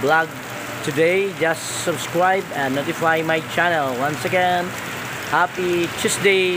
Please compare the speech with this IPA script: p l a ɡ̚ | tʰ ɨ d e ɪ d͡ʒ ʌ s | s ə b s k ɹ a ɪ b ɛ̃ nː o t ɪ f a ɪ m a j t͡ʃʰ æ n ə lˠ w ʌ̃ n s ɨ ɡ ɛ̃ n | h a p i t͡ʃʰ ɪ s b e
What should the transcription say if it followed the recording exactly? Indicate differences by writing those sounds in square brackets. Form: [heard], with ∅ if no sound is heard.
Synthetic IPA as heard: [b] l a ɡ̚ | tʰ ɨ d e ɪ d͡ʒ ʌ s | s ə b s k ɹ a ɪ b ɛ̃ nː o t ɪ f a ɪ m a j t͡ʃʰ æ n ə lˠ w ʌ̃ n s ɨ ɡ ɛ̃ n | h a p i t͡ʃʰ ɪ s [d] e